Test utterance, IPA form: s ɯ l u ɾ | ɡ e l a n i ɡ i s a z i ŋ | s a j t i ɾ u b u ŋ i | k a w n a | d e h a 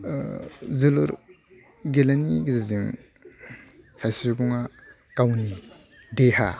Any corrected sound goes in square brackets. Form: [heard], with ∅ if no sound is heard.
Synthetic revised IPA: [z] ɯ l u ɾ | ɡ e l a n i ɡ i [z] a z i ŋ | s a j [s] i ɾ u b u ŋ [a] | k a w n [i] | d e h a